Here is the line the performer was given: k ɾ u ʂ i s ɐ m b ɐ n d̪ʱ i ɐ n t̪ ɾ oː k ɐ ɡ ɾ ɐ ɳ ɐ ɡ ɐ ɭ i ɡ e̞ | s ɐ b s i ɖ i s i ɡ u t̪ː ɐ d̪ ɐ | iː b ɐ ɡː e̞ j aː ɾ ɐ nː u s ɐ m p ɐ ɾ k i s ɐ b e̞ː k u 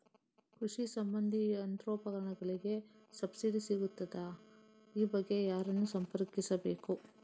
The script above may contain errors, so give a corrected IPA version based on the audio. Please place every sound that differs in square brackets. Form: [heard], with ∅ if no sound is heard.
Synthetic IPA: k ɾ u ʂ i s ɐ m b ɐ n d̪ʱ i ɐ n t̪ ɾ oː [p] ɐ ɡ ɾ ɐ ɳ ɐ ɡ ɐ ɭ i ɡ e̞ | s ɐ b s i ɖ i s i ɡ u t̪ː ɐ d̪ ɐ | iː b ɐ ɡː e̞ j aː ɾ ɐ nː u s ɐ m p ɐ ɾ k i s ɐ b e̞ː k u